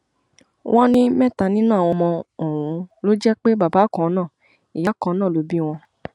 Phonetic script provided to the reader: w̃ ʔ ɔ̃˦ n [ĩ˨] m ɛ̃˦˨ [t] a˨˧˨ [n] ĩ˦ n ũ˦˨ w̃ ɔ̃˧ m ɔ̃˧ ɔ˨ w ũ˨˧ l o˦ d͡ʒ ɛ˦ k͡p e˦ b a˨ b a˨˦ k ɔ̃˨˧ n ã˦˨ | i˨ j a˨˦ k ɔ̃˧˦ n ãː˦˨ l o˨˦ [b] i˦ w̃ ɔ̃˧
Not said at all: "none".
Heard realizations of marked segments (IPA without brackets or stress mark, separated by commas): ĩ˦, t, n, b